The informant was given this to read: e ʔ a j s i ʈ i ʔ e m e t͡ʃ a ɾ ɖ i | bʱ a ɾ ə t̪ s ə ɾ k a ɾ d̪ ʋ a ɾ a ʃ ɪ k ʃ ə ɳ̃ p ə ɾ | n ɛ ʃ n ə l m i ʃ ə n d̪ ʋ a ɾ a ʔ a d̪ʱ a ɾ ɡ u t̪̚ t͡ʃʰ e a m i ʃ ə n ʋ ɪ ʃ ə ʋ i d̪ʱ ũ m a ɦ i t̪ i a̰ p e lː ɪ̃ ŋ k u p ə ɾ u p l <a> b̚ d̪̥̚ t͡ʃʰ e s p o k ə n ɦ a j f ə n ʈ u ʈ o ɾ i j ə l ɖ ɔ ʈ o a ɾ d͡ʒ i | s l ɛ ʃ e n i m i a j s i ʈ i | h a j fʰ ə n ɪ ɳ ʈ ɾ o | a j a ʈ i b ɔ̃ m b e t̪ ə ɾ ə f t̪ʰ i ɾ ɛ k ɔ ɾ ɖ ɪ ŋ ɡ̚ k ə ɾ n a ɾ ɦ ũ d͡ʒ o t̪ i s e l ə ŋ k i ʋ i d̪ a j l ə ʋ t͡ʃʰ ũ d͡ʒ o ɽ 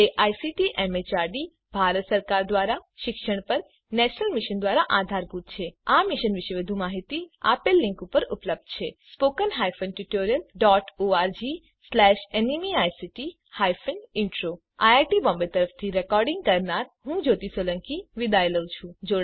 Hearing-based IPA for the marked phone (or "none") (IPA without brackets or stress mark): ə